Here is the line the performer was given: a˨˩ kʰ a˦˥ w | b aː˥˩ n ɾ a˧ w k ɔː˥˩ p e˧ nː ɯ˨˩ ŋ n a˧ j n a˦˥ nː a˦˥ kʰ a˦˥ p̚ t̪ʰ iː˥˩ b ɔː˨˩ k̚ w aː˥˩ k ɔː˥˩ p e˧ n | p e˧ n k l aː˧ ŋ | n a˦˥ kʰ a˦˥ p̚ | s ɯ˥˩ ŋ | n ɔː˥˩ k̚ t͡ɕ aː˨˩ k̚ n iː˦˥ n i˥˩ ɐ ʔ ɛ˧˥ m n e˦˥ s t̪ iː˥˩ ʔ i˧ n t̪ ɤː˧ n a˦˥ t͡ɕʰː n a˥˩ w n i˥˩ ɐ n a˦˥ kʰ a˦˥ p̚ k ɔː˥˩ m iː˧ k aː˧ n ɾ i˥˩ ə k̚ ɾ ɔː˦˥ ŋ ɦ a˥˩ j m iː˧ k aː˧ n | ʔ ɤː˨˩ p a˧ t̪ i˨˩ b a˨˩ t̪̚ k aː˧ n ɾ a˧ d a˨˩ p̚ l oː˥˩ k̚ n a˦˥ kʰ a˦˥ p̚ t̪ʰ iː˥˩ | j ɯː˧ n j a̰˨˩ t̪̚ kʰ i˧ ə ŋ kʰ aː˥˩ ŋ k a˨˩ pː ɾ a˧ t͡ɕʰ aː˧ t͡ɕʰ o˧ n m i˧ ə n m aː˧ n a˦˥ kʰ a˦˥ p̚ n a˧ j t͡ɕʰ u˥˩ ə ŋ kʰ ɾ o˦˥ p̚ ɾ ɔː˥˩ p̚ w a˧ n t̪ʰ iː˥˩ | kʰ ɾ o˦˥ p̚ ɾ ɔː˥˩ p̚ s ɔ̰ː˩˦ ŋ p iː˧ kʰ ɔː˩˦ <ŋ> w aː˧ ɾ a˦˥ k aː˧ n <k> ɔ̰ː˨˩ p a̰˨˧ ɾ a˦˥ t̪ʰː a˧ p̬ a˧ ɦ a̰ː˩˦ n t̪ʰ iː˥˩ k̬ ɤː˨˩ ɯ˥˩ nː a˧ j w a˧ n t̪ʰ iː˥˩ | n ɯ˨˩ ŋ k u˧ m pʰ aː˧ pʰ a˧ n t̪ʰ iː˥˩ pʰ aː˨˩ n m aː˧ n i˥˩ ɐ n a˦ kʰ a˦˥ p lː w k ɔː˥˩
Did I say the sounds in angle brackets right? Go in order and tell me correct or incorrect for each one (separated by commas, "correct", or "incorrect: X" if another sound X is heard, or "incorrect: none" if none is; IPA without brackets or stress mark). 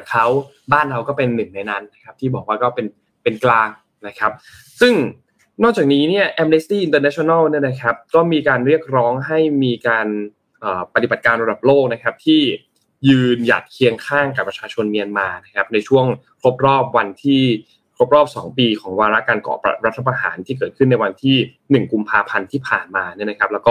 correct, correct